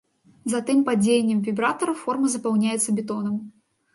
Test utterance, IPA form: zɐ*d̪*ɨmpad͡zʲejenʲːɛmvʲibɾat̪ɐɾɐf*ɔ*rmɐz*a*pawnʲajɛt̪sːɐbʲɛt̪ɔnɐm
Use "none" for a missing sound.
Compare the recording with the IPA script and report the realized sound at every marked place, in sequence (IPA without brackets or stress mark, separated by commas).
t̪, ɔ, ɐ